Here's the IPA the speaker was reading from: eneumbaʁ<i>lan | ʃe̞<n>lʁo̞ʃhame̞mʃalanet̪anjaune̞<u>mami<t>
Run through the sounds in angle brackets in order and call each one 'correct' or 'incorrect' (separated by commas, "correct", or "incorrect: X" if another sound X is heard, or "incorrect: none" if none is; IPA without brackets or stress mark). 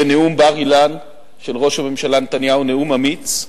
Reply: correct, incorrect: none, correct, incorrect: t͡s